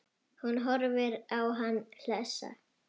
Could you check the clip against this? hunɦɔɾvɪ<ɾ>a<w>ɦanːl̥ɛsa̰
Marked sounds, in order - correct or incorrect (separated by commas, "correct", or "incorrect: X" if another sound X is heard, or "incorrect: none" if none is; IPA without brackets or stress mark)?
correct, correct